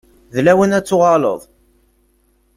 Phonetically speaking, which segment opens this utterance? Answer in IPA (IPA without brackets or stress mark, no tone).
ð